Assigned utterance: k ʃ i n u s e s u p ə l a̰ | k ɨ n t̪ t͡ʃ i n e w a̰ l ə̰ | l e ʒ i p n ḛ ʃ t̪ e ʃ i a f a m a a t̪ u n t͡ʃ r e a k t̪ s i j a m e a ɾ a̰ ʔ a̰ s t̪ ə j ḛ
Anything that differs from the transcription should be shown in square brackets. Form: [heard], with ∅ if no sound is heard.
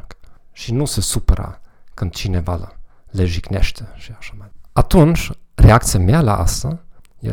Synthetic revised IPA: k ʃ i n u s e s u p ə [ɾ] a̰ | k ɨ n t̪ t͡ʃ i n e [v] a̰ l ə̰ | l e ʒ i [k] n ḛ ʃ t̪ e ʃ i a [ʃ] a m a a t̪ u n t͡ʃ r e a k t̪ s i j a m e a [l] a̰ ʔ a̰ s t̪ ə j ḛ